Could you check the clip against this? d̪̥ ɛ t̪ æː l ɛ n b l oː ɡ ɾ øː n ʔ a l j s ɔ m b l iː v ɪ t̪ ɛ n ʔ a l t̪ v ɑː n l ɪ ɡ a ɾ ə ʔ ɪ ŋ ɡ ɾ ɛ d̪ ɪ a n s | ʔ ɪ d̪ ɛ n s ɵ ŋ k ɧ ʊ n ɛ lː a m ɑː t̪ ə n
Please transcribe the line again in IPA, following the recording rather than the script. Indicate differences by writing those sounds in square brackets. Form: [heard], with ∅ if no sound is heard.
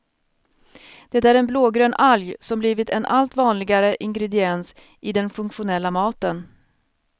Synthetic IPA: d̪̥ ɛ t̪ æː [ɾ] ɛ n b l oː ɡ ɾ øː n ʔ a l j s ɔ m b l iː v ɪ t̪ ɛ n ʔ a l t̪ v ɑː n l ɪ ɡ a ɾ ə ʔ ɪ ŋ ɡ ɾ ɛ d̪ ɪ [ɛ] n s | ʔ ɪ d̪ ɛ n [f] ɵ ŋ k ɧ ʊ n ɛ lː a m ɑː t̪ ə n